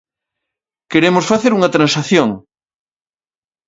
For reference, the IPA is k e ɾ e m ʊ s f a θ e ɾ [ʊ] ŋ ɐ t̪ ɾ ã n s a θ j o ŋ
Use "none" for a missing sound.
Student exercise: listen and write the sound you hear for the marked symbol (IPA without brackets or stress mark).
u